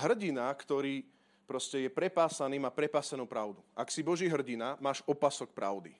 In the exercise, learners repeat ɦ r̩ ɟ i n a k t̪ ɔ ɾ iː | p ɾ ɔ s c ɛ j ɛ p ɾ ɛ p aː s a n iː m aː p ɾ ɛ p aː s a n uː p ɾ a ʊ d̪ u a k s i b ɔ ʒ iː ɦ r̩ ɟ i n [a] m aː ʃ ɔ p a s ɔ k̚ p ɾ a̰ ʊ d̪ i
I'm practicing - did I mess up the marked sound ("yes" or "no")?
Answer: no